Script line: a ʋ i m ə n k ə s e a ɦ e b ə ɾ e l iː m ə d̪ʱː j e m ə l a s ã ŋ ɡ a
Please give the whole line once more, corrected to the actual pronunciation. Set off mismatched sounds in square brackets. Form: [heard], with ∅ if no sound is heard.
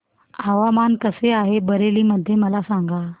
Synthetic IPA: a ʋ [a] m [a] n k ə s e a ɦ e b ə ɾ e l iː m ə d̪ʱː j e m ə l a s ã ŋ ɡ a